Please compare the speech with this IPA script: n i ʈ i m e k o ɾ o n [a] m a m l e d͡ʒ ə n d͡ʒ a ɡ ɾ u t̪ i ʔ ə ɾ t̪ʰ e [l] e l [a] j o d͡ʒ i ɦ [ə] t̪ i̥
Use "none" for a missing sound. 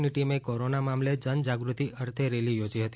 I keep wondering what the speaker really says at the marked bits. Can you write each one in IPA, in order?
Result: a, ɾ, i, ə

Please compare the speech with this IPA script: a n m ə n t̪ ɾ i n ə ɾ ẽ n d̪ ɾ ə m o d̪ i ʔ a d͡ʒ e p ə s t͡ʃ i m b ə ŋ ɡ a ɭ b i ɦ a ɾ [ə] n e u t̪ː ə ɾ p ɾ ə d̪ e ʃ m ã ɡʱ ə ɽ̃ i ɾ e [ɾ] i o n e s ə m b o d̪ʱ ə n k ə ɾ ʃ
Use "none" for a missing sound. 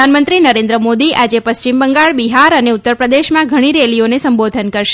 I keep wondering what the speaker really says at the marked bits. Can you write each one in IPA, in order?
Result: ə, l

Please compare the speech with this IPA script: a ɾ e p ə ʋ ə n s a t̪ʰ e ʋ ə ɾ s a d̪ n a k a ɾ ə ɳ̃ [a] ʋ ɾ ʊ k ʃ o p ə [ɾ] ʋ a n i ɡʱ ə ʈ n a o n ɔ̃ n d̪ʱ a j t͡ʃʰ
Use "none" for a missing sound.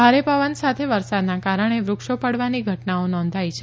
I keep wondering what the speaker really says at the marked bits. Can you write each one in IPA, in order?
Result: e, ɽ

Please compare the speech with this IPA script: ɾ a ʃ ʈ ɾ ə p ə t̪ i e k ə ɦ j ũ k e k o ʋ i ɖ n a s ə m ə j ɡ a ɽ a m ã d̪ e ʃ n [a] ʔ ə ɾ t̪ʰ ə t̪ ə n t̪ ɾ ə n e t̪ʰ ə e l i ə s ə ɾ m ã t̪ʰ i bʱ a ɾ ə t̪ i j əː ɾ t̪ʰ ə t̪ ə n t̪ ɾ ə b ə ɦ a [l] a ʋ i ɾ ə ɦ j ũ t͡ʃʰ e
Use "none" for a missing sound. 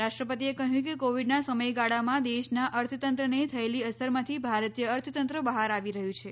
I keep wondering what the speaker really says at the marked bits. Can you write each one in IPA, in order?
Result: a, ɾ

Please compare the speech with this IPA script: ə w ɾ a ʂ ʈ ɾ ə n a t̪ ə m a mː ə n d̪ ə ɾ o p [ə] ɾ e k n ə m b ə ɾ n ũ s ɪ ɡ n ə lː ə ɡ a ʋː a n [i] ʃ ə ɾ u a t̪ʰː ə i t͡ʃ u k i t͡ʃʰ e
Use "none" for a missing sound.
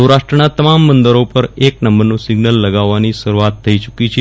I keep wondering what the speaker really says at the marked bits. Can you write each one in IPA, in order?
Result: ə, i

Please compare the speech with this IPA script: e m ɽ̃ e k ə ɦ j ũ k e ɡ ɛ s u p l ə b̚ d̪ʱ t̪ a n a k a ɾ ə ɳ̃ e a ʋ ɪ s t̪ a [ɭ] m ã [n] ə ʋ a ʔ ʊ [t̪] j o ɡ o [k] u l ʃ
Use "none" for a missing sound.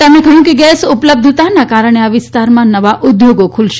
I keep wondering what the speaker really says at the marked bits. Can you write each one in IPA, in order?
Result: ɾ, n, d̪, kʰ

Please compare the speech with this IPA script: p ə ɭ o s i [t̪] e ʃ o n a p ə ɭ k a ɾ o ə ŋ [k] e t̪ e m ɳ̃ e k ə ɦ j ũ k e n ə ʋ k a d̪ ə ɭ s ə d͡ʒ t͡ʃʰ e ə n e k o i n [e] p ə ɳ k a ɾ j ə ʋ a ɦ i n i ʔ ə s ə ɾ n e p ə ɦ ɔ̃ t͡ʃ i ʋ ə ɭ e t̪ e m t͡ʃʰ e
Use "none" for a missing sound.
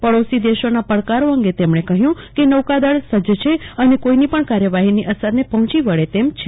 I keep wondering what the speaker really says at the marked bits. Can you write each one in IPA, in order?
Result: d̪, ɡ, i

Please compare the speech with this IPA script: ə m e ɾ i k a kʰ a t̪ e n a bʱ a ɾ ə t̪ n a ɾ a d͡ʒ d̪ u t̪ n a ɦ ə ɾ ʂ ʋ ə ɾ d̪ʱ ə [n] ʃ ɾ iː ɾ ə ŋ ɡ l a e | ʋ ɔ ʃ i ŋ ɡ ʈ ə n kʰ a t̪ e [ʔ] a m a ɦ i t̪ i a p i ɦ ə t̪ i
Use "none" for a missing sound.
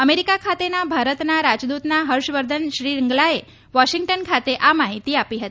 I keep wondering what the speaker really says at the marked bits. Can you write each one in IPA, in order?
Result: n, ʔ

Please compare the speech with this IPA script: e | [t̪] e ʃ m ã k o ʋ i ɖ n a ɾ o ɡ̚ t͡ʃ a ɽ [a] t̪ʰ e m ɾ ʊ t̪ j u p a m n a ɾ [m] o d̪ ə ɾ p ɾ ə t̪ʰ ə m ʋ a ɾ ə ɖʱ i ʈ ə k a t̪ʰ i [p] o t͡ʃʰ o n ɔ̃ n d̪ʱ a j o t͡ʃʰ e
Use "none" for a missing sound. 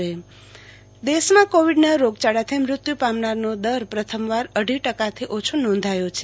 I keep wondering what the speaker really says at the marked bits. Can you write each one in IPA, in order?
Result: d̪, a, n, ʔ

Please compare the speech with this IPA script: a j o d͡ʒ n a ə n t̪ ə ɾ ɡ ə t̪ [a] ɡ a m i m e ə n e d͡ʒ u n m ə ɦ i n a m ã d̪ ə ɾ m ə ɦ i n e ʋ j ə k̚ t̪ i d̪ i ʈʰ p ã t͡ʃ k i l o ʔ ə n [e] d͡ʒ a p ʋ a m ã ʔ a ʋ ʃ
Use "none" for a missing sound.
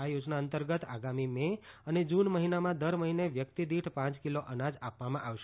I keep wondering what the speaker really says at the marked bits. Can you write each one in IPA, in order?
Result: a, a

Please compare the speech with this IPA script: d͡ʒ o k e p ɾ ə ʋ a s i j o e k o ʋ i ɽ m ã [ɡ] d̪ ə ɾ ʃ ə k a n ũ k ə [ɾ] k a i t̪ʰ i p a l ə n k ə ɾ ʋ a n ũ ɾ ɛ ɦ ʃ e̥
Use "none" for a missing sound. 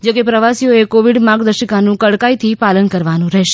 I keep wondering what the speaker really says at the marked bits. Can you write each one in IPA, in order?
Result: ɡ, ɽ

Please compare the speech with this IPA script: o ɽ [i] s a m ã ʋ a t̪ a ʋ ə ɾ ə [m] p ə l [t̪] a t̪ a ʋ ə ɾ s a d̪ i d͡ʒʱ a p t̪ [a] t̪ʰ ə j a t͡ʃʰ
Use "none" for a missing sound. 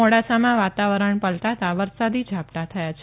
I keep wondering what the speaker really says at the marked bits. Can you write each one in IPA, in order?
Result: a, ɳ, t̪, a

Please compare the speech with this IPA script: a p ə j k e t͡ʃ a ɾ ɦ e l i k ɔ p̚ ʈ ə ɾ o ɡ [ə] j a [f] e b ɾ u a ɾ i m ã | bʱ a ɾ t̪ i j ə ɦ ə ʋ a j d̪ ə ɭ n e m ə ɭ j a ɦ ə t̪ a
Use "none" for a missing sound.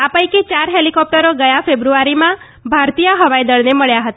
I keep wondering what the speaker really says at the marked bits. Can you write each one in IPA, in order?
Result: ə, f

